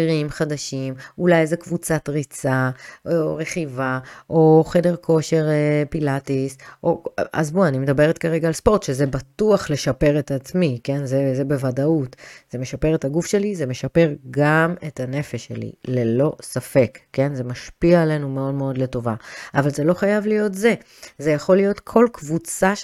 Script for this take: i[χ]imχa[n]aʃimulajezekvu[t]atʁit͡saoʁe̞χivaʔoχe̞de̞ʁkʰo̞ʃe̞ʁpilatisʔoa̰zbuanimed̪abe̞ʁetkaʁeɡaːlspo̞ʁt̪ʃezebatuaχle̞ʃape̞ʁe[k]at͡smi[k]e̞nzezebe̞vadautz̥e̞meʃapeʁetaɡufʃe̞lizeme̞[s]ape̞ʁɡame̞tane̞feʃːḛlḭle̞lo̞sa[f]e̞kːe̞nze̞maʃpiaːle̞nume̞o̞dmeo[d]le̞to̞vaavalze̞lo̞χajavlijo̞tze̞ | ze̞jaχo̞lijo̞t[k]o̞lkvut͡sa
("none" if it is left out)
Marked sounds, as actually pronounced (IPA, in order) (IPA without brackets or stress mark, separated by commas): ʁ, d, t͡s, t, k, ʃ, f, d, kʰ